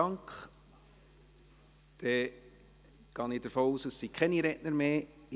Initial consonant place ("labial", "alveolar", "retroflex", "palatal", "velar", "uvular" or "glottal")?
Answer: velar